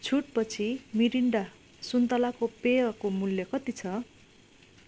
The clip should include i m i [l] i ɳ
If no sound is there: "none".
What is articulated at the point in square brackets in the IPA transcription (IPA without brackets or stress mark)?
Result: ɾ